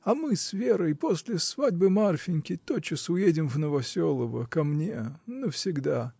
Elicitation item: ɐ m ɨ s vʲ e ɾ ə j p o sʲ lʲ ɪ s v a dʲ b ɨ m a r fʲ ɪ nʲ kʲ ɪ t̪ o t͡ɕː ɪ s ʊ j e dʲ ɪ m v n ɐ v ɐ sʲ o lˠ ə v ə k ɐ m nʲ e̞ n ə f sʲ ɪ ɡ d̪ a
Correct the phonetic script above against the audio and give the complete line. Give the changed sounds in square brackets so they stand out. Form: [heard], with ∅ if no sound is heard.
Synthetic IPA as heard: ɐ m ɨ s vʲ e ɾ ə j p o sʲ lʲ ɪ s v a dʲ b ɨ m a r fʲ ɪ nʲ kʲ ɪ t̪ o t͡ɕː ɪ s ʊ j e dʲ ɪ m v n [ə] v ɐ sʲ o lˠ ə v ə k ɐ m nʲ e̞ n ə f sʲ ɪ ɡ d̪ a